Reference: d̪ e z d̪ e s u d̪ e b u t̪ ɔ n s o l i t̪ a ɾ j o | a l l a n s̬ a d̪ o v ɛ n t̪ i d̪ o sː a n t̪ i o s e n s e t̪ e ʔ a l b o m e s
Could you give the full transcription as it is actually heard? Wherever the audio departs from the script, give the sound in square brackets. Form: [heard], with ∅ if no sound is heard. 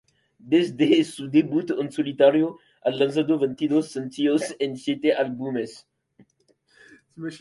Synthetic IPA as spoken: d̪ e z d̪ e s u d̪ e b u t̪ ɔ n s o l i t̪ a ɾ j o | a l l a n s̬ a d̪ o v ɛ n t̪ i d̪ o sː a n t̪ i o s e n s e t̪ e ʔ a l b [u] m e s